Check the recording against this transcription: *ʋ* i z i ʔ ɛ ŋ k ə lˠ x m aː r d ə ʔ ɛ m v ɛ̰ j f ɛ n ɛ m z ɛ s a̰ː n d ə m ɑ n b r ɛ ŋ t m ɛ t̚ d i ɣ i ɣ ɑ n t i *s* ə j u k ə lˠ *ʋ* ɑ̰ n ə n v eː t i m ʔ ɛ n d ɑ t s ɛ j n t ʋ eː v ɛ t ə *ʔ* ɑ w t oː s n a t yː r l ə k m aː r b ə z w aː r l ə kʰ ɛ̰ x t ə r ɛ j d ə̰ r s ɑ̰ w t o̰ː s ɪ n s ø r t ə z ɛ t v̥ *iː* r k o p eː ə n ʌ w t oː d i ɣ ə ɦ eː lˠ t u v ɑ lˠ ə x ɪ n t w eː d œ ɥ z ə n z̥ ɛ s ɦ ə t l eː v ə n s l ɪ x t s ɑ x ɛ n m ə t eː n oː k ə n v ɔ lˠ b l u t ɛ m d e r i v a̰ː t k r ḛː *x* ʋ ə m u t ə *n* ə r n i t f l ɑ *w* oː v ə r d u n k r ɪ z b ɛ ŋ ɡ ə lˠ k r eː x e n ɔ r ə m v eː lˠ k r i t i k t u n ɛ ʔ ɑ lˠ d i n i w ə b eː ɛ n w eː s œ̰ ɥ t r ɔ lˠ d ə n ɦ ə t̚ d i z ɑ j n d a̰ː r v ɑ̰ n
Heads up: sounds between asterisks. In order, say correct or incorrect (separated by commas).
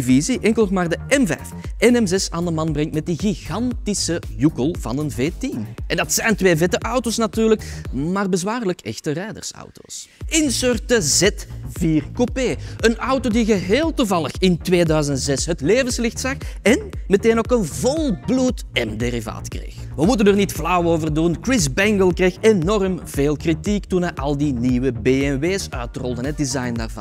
incorrect, correct, incorrect, correct, correct, correct, correct, correct